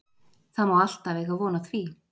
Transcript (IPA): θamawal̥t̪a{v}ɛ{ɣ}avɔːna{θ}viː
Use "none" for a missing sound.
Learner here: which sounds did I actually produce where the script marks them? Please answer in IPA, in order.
v, ɣ, θ

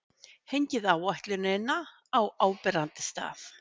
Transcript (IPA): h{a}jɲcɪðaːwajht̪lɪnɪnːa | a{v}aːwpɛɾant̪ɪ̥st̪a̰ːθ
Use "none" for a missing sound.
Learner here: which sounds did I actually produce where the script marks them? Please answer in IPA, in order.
e, w

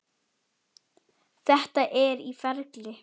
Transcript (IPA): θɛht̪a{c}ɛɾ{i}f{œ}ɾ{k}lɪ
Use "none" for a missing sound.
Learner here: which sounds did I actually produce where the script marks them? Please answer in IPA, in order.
ʔ, i, ɛ, k

